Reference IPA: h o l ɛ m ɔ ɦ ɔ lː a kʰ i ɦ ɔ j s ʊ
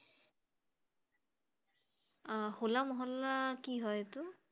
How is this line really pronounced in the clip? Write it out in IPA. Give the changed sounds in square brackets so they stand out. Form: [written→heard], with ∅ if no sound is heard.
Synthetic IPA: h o l [ɛ→a] m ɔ ɦ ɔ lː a [kʰ→k] i ɦ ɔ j [s→t] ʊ